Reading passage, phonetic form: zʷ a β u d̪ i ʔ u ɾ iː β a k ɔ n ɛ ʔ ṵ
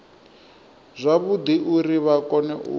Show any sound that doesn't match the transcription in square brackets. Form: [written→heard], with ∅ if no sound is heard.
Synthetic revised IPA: zʷ a β u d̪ i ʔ u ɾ [iː→i] β a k ɔ n ɛ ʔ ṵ